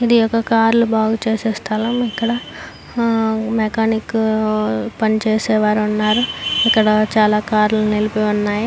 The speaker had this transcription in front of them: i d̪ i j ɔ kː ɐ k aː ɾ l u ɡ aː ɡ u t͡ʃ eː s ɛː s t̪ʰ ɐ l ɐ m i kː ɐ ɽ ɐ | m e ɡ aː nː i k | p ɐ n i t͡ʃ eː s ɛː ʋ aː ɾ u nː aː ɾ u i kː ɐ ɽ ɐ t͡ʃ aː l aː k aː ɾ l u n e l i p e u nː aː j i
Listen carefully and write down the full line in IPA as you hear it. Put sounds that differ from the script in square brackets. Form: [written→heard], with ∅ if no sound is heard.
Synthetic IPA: i d̪ i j ɔ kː ɐ k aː ɾ l u [ɡ→b] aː ɡ u t͡ʃ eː s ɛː s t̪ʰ ɐ l ɐ m i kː ɐ ɽ ɐ | m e [ɡ→k] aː [nː→n] i k | p ɐ n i t͡ʃ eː s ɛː ʋ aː ɾ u nː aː ɾ u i kː ɐ ɽ ɐ t͡ʃ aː l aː k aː ɾ l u n e l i p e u nː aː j i